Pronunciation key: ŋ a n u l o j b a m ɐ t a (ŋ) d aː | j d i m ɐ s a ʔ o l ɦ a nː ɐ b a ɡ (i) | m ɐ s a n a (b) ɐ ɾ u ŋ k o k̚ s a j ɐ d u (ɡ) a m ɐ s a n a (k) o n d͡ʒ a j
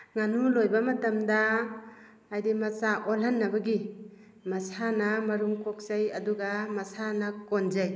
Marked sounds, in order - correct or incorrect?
incorrect, correct, incorrect, correct, correct

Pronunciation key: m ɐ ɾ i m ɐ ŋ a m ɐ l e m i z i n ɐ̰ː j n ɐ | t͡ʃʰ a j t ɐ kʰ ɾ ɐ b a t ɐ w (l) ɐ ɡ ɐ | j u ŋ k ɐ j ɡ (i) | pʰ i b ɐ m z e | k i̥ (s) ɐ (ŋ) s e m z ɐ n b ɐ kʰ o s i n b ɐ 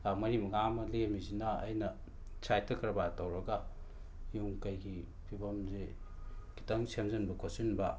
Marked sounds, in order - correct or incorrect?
incorrect, correct, incorrect, correct

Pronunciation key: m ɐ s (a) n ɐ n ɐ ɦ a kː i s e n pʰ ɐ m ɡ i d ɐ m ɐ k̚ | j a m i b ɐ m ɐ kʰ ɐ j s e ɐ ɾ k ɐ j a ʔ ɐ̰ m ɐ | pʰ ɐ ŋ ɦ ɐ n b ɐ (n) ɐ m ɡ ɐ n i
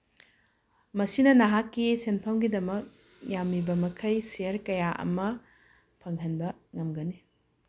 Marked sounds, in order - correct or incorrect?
incorrect, incorrect

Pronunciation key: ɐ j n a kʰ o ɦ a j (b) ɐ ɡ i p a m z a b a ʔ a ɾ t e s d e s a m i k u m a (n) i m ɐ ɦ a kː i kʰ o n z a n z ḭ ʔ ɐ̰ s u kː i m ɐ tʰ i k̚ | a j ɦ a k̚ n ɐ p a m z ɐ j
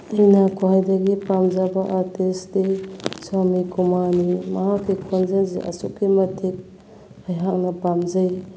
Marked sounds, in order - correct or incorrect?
incorrect, correct

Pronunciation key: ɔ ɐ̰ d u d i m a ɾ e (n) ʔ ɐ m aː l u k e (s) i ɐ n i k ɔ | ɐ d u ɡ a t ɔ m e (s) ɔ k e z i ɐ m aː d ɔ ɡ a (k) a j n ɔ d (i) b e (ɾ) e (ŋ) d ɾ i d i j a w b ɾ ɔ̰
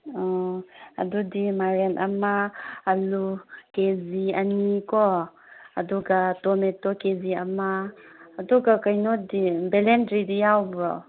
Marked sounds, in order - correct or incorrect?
correct, incorrect, incorrect, correct, correct, incorrect, incorrect

